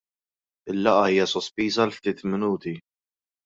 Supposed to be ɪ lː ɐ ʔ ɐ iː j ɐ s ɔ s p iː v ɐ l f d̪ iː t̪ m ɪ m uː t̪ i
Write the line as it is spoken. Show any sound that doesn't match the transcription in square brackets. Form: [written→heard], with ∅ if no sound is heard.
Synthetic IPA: ɪ lː ɐ ʔ ɐ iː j ɐ s ɔ s p iː [v→z] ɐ l f [d̪→t̪] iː t̪ m ɪ [m→n] uː t̪ i